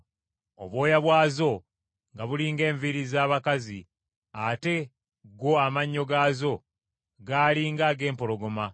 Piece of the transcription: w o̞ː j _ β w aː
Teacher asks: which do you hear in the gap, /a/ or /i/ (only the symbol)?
a